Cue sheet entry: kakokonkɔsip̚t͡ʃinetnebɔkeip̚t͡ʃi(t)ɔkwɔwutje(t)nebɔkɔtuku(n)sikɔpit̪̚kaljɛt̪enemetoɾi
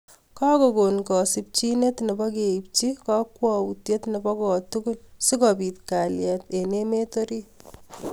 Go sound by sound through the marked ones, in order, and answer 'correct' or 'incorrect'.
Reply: incorrect, correct, correct

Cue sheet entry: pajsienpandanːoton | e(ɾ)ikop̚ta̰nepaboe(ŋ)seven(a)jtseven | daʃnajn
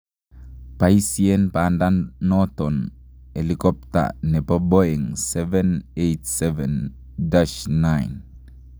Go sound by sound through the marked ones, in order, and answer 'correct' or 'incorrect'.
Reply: incorrect, correct, incorrect

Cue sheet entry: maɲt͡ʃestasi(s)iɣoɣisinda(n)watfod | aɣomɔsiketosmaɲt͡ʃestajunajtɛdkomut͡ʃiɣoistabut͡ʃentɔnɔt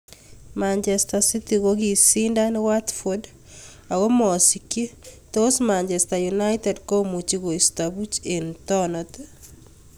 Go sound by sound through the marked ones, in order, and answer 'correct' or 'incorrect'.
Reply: incorrect, correct

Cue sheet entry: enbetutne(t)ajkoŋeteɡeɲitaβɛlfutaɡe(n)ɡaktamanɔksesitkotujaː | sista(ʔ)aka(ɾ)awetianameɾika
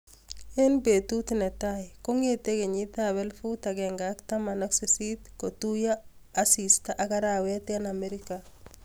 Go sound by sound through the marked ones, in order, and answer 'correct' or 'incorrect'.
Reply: correct, incorrect, correct, correct

